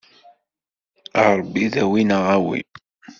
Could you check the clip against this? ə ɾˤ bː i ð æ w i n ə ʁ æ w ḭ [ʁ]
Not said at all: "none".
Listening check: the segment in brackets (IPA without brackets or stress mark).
none